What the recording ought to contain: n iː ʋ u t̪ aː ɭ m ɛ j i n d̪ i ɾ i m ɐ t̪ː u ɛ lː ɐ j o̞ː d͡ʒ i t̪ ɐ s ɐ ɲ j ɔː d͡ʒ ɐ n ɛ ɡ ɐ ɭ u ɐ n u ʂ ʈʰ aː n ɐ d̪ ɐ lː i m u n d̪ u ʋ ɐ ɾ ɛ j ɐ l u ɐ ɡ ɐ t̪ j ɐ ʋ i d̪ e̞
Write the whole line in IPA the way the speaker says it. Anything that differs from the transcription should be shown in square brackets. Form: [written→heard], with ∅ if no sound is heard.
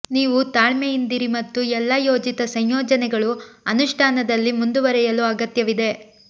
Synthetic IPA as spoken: n iː ʋ u t̪ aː ɭ m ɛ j i n d̪ i ɾ i m ɐ t̪ː u ɛ lː ɐ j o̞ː d͡ʒ i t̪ ɐ s ɐ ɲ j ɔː d͡ʒ ɐ n ɛ ɡ ɐ ɭ u ɐ n u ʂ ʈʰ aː n ɐ d̪ ɐ lː i m u n d̪ u ʋ ɐ ɾ ɛ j ɐ l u ɐ ɡ ɐ t̪ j ɐ ʋ i d̪ e̞

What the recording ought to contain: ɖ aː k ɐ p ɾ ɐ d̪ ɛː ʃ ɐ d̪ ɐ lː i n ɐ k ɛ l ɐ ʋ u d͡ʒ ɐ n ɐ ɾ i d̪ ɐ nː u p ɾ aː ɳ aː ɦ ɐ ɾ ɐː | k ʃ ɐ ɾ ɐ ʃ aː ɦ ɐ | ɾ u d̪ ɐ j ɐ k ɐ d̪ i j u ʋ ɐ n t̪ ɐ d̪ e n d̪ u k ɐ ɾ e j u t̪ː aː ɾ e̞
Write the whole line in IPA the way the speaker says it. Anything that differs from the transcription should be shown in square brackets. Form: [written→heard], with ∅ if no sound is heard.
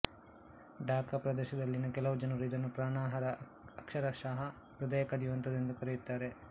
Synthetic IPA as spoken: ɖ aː k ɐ p ɾ ɐ d̪ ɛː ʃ ɐ d̪ ɐ lː i n ɐ k ɛ l ɐ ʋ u d͡ʒ ɐ n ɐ ɾ i d̪ ɐ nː u p ɾ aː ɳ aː ɦ ɐ ɾ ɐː | k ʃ ɐ ɾ ɐ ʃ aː ɦ ɐ | ɾ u d̪ ɐ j ɐ k ɐ d̪ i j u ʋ ɐ n t̪ ɐ d̪ e n d̪ u k ɐ ɾ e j u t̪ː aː ɾ e̞

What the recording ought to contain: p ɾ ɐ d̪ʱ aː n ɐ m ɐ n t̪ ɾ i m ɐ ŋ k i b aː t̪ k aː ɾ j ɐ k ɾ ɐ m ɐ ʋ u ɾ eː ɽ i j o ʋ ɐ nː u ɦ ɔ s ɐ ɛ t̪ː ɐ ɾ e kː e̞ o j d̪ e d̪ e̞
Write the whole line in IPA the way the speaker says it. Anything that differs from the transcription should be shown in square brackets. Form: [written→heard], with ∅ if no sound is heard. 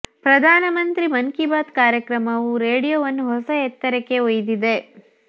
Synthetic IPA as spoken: p ɾ ɐ d̪ʱ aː n ɐ m ɐ n t̪ ɾ i m ɐ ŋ k i b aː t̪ k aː ɾ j ɐ k ɾ ɐ m ɐ ʋ u ɾ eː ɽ i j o ʋ ɐ nː u ɦ ɔ s ɐ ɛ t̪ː ɐ ɾ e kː e̞ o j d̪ [e→i] d̪ e̞

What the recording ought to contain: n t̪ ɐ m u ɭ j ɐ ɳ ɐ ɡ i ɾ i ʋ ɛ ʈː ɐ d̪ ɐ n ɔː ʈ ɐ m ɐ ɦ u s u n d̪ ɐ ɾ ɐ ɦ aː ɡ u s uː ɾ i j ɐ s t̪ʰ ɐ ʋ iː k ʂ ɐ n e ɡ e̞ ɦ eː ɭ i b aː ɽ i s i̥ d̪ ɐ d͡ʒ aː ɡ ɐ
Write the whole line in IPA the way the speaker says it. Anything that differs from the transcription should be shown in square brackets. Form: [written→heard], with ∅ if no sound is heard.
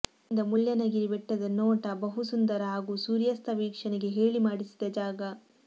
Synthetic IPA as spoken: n [t̪→d̪] ɐ m u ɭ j ɐ [ɳ→n] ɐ ɡ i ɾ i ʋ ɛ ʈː ɐ d̪ ɐ n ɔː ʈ ɐ [m→b] ɐ ɦ u s u n d̪ ɐ ɾ ɐ ɦ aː ɡ u s uː ɾ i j ɐ s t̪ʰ ɐ ʋ iː k ʂ ɐ n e ɡ e̞ ɦ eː ɭ i [b→m] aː ɽ i s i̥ d̪ ɐ d͡ʒ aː ɡ ɐ

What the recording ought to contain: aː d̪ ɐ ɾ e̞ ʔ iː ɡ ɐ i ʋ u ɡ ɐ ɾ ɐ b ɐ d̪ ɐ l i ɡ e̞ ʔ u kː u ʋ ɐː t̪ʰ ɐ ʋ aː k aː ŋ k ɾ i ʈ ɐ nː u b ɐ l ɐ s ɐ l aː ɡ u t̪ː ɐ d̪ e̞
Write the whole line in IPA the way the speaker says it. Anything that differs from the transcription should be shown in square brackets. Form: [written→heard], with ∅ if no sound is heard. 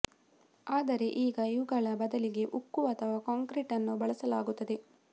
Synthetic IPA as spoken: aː d̪ ɐ ɾ e̞ ʔ iː ɡ ɐ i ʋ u ɡ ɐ [ɾ→ɭ] ɐ b ɐ d̪ ɐ l i ɡ e̞ ʔ u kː u ʋ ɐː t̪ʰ ɐ ʋ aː k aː ŋ k ɾ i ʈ ɐ nː u b ɐ [l→ɭ] ɐ s ɐ l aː ɡ u t̪ː ɐ d̪ e̞

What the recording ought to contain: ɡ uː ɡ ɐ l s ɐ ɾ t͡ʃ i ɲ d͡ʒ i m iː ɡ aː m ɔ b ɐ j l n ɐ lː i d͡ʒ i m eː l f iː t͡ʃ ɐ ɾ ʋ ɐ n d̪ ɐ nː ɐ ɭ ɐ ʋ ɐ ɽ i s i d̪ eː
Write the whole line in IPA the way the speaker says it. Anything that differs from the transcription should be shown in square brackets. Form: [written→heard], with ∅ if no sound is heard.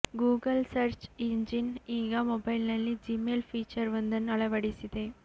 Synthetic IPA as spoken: ɡ uː ɡ ɐ l s ɐ ɾ t͡ʃ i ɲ d͡ʒ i [m→n] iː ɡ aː m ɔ b ɐ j l n ɐ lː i d͡ʒ i m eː l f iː t͡ʃ ɐ ɾ ʋ ɐ n d̪ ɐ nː ɐ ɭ ɐ ʋ ɐ ɽ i s i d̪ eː

